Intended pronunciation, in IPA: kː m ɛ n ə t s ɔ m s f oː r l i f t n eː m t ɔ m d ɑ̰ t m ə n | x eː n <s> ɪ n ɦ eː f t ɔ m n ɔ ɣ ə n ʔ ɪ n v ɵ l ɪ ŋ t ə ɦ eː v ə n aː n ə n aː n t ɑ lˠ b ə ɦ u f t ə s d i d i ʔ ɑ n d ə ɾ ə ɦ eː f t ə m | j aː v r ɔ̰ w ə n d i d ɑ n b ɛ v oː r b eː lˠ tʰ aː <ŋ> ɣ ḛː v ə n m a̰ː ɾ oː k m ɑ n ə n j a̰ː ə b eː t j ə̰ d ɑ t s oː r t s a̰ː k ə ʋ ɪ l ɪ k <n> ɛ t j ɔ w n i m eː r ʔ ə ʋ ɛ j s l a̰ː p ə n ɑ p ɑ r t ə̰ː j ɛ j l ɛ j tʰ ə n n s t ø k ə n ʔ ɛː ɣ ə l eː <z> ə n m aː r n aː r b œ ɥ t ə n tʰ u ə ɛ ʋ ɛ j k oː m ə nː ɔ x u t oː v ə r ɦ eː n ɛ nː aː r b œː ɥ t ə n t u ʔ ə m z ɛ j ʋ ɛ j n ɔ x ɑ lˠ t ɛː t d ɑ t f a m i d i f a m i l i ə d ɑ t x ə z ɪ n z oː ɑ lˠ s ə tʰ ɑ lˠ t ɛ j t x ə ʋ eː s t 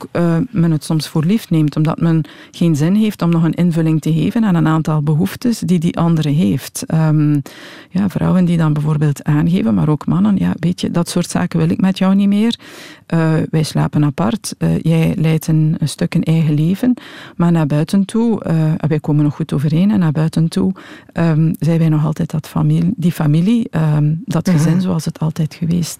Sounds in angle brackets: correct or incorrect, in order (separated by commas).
incorrect, incorrect, incorrect, incorrect